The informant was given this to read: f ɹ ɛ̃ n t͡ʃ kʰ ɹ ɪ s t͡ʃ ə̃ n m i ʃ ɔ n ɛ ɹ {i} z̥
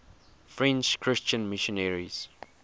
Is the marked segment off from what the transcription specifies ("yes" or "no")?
no